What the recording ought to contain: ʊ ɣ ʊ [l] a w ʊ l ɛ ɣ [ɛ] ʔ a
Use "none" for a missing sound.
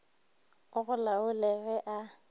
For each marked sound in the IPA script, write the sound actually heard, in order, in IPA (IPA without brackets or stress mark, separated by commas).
l, ɛ